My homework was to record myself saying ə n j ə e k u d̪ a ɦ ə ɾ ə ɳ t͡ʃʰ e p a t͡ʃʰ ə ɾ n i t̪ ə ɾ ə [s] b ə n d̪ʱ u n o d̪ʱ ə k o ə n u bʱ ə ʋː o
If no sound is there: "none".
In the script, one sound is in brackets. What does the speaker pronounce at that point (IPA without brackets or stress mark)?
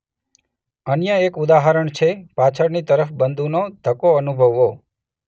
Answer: f